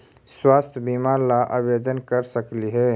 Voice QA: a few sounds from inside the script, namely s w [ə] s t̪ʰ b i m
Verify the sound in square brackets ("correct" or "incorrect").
incorrect